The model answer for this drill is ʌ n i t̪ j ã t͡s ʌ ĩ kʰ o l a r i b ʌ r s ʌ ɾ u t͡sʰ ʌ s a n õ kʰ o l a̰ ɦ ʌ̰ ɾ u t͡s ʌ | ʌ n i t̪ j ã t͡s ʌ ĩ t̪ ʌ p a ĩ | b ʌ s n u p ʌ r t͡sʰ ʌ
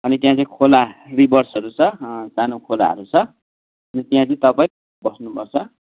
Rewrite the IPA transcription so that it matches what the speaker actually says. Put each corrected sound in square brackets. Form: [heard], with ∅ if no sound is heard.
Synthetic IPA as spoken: ʌ n i t̪ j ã t͡s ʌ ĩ kʰ o l a r i b ʌ r s ʌ ɾ u t͡sʰ ʌ s a n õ kʰ o l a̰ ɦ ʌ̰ ɾ u [t͡sʰ] ʌ | ʌ n i t̪ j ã t͡s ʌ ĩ t̪ ʌ p a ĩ | b ʌ s n u p ʌ r t͡sʰ ʌ